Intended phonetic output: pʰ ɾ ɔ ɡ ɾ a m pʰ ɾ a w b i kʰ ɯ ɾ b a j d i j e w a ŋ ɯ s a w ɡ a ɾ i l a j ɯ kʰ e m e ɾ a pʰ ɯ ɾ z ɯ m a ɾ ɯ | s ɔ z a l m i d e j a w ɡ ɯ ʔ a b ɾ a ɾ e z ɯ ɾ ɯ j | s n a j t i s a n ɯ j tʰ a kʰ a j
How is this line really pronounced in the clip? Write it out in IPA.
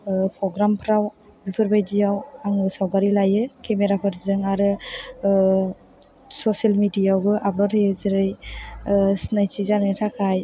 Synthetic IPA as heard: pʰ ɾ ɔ ɡ ɾ a m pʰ ɾ a w b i pʰ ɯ ɾ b a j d i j a w a ŋ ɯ s a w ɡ a ɾ i l a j ɯ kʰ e m e ɾ a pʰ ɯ ɾ z ɯ ŋ a ɾ ɯ | s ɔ s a l m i d i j a w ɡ ɯ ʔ a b ɾ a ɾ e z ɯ ɾ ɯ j | s n a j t i z a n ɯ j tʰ a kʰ a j